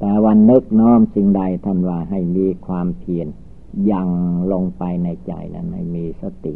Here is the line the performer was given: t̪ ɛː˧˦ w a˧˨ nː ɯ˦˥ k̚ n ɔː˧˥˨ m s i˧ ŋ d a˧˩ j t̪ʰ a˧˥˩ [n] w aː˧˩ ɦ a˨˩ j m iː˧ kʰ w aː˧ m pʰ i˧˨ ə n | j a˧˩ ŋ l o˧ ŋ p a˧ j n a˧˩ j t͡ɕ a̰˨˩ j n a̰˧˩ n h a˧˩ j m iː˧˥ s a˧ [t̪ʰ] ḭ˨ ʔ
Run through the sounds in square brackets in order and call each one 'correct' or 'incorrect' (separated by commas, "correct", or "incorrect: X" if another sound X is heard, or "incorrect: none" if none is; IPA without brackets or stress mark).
correct, incorrect: t̪